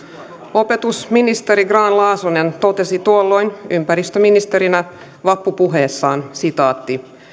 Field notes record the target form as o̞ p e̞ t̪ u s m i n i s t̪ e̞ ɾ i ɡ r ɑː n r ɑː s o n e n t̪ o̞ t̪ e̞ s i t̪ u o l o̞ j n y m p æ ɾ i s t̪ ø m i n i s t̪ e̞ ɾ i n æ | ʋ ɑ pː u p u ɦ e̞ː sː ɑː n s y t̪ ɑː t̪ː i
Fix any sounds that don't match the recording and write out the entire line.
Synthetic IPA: o̞ p e̞ t̪ u s m i n i s t̪ e̞ ɾ i ɡ r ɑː n l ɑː s o n e n t̪ o̞ t̪ e̞ s i t̪ u o lː o̞ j n y m p æ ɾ i s t̪ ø m i n i s t̪ e̞ ɾ i n æ | ʋ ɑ pː u p u ɦ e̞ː sː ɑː n s i t̪ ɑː t̪ː i